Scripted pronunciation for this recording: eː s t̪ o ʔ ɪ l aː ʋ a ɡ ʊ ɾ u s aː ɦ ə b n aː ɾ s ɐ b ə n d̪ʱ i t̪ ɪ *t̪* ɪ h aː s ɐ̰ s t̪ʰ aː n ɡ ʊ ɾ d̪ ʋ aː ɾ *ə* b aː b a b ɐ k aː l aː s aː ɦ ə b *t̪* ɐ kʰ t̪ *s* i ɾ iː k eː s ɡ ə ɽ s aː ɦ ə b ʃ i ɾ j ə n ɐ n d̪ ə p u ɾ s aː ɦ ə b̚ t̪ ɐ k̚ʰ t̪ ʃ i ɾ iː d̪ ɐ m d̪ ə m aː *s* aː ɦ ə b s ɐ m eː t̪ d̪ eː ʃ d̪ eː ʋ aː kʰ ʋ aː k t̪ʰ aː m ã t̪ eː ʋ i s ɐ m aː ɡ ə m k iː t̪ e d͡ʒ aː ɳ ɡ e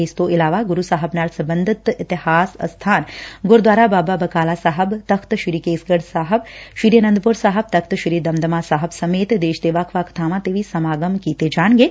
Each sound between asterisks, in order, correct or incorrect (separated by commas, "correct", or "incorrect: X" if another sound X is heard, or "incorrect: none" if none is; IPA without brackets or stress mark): correct, incorrect: a, correct, incorrect: ʃ, correct